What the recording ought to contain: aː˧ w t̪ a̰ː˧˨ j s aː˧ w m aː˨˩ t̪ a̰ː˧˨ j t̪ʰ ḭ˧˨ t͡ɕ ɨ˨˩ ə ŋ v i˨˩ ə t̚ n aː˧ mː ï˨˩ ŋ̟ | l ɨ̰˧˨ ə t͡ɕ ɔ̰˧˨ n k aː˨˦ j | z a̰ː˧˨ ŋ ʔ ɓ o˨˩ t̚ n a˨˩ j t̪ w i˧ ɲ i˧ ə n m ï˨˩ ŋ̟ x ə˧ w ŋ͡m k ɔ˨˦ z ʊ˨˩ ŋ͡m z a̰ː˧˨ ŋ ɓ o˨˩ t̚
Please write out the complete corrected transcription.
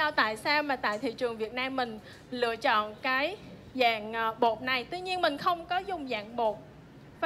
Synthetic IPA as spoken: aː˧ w t̪ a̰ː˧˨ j s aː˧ w m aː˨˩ t̪ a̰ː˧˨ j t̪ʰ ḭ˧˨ t͡ɕ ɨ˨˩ ə ŋ v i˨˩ ə t̚ n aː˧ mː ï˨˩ ŋ̟ | l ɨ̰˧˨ ə t͡ɕ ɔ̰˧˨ n k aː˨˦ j | z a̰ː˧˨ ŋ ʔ ɓ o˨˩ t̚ n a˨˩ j t̪ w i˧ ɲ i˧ ə n m ï˨˩ ŋ̟ x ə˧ w ŋ͡m k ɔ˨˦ z ʊ˨˩ ŋ͡m z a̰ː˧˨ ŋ ɓ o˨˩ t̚